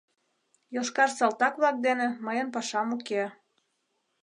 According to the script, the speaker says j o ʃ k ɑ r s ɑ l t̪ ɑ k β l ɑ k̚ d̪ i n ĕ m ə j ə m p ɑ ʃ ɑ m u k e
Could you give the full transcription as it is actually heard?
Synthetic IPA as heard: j o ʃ k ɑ r s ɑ l t̪ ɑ k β l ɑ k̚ d̪ e n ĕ m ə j ə n p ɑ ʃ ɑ m u k e